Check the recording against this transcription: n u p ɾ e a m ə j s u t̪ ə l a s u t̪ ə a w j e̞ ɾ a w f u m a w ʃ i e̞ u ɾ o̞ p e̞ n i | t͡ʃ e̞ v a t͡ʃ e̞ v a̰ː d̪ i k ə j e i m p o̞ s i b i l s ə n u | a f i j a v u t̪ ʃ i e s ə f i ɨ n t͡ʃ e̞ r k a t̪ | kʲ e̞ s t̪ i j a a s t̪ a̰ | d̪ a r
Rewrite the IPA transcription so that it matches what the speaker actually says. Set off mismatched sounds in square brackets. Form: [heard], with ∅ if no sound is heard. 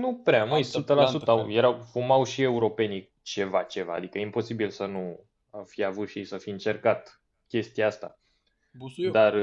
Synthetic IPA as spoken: n u p ɾ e a m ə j s u t̪ ə l a s u t̪ ə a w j e̞ ɾ a w f u m a w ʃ i e̞ u ɾ o̞ p e̞ n i | t͡ʃ e̞ v a t͡ʃ e̞ v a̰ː d̪ i k ə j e i m p o̞ s i b i l s ə n u | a f i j a v u t̪ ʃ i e s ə f i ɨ n t͡ʃ e̞ r k a t̪ | kʲ e̞ s t̪ i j a a s t̪ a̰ | d̪ a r